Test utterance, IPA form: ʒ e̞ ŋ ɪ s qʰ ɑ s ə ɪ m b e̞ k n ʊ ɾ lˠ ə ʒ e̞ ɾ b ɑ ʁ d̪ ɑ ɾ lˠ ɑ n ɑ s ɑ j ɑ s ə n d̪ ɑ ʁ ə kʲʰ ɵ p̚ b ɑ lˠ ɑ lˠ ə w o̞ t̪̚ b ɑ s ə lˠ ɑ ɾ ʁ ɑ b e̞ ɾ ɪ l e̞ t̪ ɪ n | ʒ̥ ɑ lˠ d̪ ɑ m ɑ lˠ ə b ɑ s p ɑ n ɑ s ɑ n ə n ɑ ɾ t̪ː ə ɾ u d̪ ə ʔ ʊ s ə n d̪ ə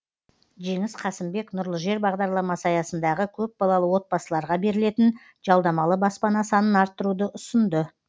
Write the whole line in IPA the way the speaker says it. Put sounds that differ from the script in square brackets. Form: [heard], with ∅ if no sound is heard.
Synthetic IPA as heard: ʒ e̞ ŋ ɪ s qʰ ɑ s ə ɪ m b e̞ k n ʊ ɾ lˠ ə ʒ e̞ ɾ b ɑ ʁ d̪ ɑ ɾ lˠ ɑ [m] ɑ s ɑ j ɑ s ə n d̪ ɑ ʁ ə kʲʰ ɵ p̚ b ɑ lˠ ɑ lˠ ə w o̞ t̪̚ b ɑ s ə lˠ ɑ ɾ ʁ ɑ b e̞ ɾ ɪ l e̞ t̪ ɪ n | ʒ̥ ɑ lˠ d̪ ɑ m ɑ lˠ ə b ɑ s p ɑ n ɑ s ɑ n ə n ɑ ɾ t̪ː ə ɾ u d̪ ə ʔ ʊ s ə n d̪ ə